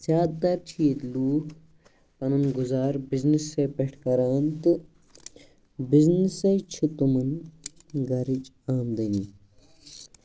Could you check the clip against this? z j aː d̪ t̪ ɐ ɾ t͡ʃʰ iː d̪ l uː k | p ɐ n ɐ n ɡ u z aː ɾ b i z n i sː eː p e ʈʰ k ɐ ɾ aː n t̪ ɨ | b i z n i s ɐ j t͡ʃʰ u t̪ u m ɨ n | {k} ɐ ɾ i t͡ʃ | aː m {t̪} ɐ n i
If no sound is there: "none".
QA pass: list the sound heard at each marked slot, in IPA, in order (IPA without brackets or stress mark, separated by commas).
ɡ, d̪